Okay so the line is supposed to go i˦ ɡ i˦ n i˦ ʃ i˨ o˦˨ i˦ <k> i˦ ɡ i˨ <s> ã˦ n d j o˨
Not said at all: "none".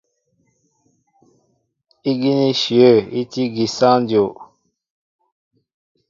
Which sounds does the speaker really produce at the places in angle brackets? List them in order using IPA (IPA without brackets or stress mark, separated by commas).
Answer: t, s